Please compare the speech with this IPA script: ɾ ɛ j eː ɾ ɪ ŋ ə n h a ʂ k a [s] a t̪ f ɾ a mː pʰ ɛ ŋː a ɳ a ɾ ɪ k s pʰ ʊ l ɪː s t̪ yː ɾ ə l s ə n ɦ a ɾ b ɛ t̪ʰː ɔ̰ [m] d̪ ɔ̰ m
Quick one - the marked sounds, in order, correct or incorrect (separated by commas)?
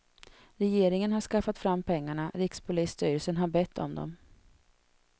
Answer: incorrect, correct